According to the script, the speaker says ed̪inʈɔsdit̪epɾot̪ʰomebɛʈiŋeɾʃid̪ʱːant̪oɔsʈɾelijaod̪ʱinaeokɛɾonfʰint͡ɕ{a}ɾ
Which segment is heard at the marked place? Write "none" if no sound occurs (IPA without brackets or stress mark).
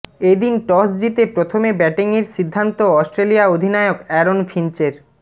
e